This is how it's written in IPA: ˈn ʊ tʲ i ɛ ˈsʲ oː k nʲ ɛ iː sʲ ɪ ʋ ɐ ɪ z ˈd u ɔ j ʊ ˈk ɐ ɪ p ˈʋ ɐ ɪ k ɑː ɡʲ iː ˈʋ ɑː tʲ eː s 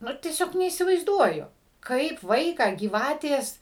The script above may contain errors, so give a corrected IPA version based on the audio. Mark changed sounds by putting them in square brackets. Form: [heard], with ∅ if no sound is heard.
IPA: ˈn ʊ tʲ i ɛ ˈsʲ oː k nʲ ɛ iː sʲ ɪ ʋ ɐ ɪ z ˈd u ɔ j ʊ ˈk ɐ ɪ p ˈʋ ɐ ɪ k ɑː ɡʲ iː ˈʋ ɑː tʲ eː s